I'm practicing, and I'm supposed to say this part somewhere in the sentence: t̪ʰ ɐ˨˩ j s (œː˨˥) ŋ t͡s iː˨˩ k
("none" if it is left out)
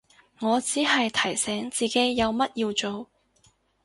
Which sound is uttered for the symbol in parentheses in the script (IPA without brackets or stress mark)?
ɛː˨˥